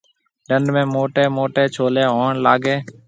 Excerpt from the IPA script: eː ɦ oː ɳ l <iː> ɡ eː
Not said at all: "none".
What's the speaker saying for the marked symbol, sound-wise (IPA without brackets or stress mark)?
aː